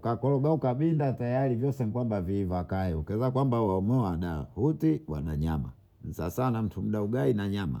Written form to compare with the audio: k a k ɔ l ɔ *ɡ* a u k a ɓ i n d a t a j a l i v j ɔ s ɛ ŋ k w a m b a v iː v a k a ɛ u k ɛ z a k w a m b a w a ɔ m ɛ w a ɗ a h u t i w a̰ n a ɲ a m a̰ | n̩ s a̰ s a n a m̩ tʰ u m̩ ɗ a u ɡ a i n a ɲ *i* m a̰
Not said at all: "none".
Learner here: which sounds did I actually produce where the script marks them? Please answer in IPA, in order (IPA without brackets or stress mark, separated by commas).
ɡ, a